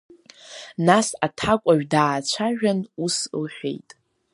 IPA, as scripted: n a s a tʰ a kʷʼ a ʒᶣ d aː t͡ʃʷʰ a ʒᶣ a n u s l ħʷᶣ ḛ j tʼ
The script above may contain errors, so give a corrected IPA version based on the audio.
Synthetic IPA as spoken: n a s a tʰ a kʷʼ a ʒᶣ d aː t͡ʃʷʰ a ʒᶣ a n u s l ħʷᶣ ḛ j tʼ